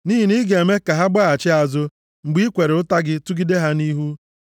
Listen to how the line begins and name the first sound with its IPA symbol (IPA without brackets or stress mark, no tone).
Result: n